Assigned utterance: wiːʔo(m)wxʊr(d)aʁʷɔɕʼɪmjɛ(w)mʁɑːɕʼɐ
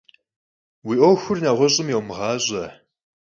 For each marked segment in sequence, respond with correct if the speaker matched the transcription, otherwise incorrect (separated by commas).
incorrect, incorrect, correct